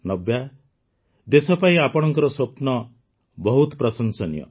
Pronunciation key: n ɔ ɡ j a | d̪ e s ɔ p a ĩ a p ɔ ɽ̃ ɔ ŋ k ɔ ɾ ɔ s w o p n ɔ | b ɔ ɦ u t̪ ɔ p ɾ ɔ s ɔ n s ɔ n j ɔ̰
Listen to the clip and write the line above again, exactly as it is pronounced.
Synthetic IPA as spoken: n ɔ b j a | d̪ e s ɔ p a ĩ a p ɔ ɽ̃ ɔ ŋ k ɔ ɾ ɔ s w o p n ɔ | b ɔ ɦ u t̪ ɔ p ɾ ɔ s ɔ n s ɔ n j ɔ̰